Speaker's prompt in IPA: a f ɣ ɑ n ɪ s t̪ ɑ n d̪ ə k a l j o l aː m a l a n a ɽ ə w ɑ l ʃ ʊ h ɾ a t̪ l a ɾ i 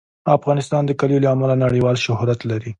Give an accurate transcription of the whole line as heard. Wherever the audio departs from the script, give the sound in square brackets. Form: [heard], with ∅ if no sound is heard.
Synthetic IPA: a f ɣ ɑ n ɪ s t̪ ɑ n d̪ ə k a l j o l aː m a l a n a ɽ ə w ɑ l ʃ ʊ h ɾ a t̪ l a ɾ i

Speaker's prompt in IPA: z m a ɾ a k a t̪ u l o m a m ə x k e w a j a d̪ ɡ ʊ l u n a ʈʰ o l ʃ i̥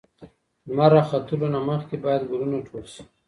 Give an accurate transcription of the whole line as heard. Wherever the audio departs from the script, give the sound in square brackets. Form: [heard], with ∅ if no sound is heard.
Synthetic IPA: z m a ɾ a [x] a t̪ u l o [n] a m ə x k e [b] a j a d̪ ɡ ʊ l u n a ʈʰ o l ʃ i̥

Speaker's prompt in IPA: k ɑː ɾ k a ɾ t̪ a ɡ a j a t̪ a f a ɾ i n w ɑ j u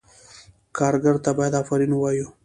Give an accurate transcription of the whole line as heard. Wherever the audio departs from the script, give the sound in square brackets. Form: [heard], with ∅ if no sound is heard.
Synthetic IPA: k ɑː ɾ [ɡ] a ɾ t̪ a [b] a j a [d̪] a f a ɾ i n w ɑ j u

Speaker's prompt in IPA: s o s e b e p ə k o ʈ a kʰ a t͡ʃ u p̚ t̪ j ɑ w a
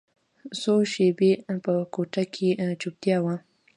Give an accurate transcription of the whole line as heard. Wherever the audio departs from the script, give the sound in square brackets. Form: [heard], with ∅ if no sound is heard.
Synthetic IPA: s o [ʃ] e b e p ə k o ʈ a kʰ [e] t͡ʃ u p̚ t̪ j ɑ w a

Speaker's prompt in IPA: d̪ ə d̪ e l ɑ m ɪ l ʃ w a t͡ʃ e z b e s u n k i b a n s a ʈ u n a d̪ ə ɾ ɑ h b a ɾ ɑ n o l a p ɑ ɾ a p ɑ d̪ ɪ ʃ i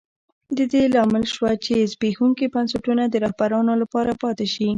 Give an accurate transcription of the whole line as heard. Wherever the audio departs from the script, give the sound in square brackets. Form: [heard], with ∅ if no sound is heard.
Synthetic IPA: d̪ ə d̪ e l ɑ m ɪ l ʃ w a t͡ʃ e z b e [x] u [ŋ] k i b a n s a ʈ u n a d̪ ə ɾ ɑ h b a ɾ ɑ n o l a p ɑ ɾ a p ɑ [t̪] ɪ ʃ i

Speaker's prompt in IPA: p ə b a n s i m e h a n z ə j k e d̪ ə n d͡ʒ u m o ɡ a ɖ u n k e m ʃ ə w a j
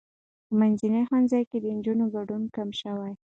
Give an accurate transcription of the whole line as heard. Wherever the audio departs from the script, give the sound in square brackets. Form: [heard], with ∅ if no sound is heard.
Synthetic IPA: p ə [m] a n [z] i [n] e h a n z [ɑ] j k e d̪ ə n d͡ʒ u [n] o ɡ a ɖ u n k [a] m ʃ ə w a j

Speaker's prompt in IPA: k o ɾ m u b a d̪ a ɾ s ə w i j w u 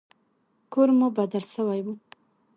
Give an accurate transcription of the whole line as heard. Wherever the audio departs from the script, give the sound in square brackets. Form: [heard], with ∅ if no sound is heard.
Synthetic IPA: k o ɾ m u b a d̪ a [l] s ə w [a] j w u

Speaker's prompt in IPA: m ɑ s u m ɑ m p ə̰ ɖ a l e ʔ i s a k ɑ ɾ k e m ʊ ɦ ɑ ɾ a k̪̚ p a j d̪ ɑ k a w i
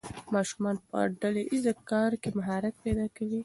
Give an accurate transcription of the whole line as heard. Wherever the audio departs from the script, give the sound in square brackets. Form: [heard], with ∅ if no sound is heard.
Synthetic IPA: m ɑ [ʃ] u m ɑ [n] p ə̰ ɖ a l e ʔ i [z] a k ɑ ɾ k e m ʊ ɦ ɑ ɾ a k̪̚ p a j d̪ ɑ k a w i

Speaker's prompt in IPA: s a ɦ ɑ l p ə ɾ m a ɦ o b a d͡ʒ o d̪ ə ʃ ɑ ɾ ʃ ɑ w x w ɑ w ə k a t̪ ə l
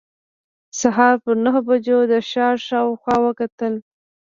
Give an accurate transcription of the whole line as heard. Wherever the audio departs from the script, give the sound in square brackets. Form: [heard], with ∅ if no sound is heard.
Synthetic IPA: s a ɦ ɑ [ɾ] p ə ɾ [n] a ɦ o b a d͡ʒ o d̪ ə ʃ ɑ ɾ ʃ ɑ w x w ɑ w ə k a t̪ ə l

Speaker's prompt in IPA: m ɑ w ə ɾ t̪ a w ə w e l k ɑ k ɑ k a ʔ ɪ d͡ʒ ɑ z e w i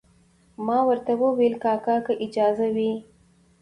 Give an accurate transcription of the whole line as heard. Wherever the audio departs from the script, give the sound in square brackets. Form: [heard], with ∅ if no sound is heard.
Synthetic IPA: m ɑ w ə ɾ t̪ a w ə w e l k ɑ k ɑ k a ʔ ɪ d͡ʒ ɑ z [a] w i

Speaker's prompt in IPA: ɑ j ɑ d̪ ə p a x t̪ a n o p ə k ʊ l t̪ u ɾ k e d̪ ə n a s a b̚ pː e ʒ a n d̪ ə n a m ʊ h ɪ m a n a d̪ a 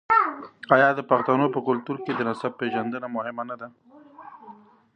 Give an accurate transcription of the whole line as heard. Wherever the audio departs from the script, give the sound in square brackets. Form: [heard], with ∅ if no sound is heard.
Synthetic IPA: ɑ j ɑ d̪ ə p a x t̪ a n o p ə k ʊ l t̪ u ɾ k e d̪ ə n a s a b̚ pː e ʒ a n d̪ ə n a m ʊ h ɪ m a n a d̪ a

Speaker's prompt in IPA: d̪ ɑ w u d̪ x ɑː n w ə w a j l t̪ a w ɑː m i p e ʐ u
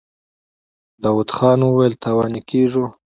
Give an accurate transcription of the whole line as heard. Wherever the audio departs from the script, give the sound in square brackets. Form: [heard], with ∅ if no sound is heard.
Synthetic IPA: d̪ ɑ w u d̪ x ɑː n w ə w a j l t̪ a w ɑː [n] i [k] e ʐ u

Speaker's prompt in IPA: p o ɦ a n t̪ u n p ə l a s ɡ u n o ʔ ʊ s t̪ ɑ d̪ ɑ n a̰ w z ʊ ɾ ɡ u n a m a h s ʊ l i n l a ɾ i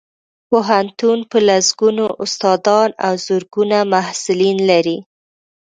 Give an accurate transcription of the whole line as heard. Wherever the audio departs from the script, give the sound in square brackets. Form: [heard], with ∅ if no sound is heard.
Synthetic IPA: p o ɦ a n t̪ u n p ə l a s ɡ u n o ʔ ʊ s t̪ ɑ d̪ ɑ n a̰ w z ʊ ɾ ɡ u n a m a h s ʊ l i n l a ɾ i

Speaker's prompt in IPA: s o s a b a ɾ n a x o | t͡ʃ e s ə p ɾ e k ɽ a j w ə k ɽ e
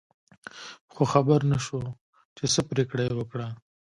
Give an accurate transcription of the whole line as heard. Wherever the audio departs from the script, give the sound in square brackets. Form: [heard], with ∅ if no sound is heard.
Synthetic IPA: [x] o [x] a b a ɾ n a [ʃ] o | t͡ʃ e s ə p ɾ e k ɽ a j w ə k ɽ [a]

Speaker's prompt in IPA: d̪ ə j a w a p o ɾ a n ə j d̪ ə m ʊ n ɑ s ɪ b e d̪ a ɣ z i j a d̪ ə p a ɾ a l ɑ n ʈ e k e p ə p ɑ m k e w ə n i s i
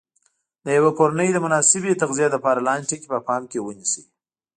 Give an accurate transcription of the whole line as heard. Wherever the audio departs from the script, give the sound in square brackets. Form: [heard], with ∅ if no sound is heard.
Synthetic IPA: d̪ ə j a w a p o ɾ a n ə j d̪ ə m ʊ n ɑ s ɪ b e [t̪] a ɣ z i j a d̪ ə p [ɑ] ɾ a l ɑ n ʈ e k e p ə p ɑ m k e w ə n i s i

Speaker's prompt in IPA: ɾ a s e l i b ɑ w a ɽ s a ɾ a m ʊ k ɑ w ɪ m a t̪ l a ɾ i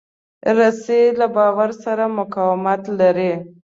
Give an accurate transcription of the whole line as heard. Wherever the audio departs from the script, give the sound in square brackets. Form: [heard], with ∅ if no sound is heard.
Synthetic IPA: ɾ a s e l [a] b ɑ w a [ɾ] s a ɾ a m ʊ k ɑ w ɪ m a t̪ l a ɾ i

